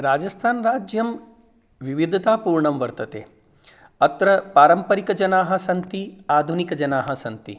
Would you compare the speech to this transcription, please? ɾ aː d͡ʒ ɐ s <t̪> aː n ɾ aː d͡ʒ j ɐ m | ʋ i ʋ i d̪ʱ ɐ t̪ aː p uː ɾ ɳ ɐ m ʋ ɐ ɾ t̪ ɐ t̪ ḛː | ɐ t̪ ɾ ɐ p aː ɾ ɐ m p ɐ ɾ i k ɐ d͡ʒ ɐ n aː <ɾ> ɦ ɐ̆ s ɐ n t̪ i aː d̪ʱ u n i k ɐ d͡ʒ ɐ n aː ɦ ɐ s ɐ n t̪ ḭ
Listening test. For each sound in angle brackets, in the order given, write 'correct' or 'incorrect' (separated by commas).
incorrect, incorrect